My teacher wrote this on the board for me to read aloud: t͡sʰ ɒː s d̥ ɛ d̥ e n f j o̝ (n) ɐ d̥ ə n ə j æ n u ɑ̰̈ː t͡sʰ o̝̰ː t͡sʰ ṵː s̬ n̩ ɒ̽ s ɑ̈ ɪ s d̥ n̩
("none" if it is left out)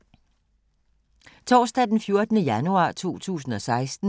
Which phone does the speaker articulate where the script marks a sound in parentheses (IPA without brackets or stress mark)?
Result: none